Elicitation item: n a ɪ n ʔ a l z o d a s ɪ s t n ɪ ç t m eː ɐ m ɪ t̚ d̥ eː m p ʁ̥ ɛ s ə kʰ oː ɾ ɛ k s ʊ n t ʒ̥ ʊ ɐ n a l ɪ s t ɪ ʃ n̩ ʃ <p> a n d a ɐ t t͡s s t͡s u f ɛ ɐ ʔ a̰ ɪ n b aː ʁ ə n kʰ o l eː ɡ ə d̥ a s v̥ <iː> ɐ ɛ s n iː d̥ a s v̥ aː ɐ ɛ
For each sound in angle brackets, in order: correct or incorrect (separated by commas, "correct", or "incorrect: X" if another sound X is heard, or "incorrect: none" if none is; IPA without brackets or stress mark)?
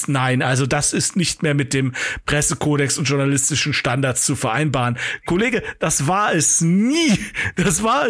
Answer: incorrect: t, incorrect: aː